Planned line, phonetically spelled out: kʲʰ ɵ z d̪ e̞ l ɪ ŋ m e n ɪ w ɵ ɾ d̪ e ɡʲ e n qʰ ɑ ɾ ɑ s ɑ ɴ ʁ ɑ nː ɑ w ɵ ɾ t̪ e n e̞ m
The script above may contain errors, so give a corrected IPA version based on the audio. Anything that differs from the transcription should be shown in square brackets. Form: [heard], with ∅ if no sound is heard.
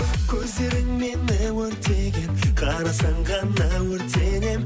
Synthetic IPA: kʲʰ ɵ z d̪ e̞ [ɾ] ɪ ŋ m e n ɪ w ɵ ɾ [t̪] e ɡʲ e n qʰ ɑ ɾ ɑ s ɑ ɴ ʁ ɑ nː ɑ w ɵ ɾ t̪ e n e̞ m